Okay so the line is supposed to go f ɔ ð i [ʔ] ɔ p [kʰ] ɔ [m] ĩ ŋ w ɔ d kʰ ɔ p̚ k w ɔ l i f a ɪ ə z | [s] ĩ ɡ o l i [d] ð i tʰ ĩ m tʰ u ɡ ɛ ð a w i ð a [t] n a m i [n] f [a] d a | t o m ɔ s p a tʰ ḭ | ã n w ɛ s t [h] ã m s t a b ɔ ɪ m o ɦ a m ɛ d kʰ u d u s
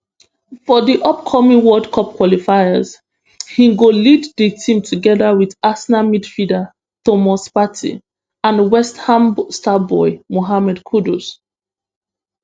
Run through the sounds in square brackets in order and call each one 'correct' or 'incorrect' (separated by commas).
correct, correct, correct, incorrect, correct, incorrect, incorrect, incorrect, correct